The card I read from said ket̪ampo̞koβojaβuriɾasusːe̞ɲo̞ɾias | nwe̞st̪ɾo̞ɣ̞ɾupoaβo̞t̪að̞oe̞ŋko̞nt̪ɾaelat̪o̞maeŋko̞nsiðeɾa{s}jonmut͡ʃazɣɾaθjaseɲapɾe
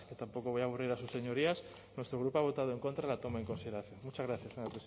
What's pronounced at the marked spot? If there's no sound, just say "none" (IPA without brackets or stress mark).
θ